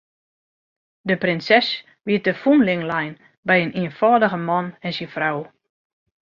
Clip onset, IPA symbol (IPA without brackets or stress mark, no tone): d